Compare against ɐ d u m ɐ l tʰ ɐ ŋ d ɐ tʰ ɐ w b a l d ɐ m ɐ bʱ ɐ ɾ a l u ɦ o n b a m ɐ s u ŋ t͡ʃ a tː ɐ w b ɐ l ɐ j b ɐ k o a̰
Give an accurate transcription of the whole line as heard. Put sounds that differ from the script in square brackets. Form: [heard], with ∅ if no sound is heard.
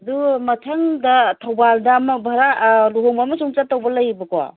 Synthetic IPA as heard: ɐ d u m ɐ [∅] tʰ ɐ ŋ d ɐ tʰ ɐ w b a l d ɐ m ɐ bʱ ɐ ɾ a l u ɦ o [ŋ] b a m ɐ s u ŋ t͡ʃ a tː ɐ w b ɐ l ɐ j b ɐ k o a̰